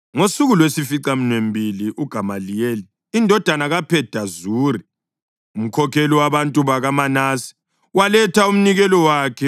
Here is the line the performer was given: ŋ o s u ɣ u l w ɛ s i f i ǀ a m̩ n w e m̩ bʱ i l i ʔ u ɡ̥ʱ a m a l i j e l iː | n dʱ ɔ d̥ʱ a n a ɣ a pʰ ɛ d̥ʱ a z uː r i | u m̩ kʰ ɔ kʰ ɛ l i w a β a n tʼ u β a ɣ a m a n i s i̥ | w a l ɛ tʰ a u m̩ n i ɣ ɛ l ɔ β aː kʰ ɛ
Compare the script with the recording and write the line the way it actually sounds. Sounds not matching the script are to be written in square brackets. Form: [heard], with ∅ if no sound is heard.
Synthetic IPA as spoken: ŋ o s u ɣ u l w [e] s i f i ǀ a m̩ n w e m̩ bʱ i l i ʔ u ɡ̥ʱ a m a l i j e l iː | n dʱ ɔ d̥ʱ a n a ɣ a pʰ ɛ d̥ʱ a z uː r i | u m̩ kʰ ɔ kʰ ɛ l i w a β a n tʼ u β a ɣ a m a n [a] s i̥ | w a l ɛ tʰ a u m̩ n i ɣ ɛ l ɔ [w] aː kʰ ɛ

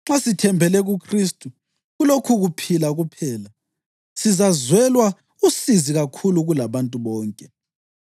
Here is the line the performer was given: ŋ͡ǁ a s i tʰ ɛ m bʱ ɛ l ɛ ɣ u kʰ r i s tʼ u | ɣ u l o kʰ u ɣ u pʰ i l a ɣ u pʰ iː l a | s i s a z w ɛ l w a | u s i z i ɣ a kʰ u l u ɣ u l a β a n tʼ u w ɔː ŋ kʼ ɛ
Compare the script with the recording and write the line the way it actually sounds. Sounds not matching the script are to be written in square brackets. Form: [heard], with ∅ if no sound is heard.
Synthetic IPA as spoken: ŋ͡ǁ a s i tʰ ɛ m bʱ ɛ l ɛ ɣ u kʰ r i s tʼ u | ɣ u l o kʰ u ɣ u pʰ i l a ɣ u pʰ [ɛː] l a | s i [z] a z w ɛ l w a | u s i z i ɣ a kʰ u l u ɣ u l a β a n tʼ u [β] ɔː ŋ kʼ ɛ

